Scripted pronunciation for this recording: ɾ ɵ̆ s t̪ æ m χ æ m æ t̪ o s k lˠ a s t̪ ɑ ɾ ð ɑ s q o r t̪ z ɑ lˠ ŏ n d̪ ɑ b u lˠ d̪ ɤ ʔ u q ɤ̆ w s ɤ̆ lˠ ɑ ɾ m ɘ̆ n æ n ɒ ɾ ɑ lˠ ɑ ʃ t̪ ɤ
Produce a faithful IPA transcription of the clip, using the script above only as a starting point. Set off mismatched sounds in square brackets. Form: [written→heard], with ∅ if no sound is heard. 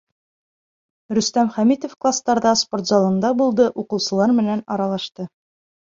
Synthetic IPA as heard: ɾ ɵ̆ s t̪ æ m χ æ m [æ→i] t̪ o [s→f] k lˠ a s t̪ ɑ ɾ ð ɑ s [q→p] o r t̪ z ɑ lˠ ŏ n d̪ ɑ b u lˠ d̪ ɤ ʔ u q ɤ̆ w s ɤ̆ lˠ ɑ ɾ m ɘ̆ n æ n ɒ ɾ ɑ lˠ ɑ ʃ t̪ ɤ